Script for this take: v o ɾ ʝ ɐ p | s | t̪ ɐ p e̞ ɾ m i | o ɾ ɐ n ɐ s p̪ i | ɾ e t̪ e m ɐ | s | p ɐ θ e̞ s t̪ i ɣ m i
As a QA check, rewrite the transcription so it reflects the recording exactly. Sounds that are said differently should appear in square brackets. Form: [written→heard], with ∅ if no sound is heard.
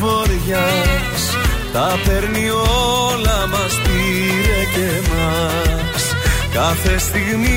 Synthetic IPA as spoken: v o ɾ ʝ ɐ [p→∅] | s | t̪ ɐ p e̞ ɾ [m→n] i | o [ɾ→l] ɐ [n→m] ɐ s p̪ i | ɾ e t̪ e m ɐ | s | [p→k] ɐ θ e̞ s t̪ i ɣ m i